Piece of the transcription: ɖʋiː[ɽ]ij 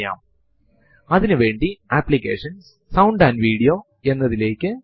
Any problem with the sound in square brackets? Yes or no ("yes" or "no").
no